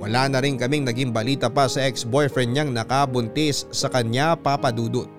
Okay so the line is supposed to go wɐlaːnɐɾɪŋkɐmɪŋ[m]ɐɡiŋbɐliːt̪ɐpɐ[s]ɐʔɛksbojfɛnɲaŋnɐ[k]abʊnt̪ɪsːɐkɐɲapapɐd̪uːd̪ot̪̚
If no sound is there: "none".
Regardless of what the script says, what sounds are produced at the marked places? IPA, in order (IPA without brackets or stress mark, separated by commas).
n, s, k